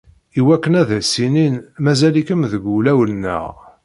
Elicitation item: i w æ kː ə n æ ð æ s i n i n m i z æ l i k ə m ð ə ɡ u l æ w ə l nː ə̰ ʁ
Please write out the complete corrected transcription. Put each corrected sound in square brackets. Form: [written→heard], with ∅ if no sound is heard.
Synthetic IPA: i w æ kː ə n æ ð æ s i n i n m [i→æ] z æ l i k ə m ð ə ɡ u l æ w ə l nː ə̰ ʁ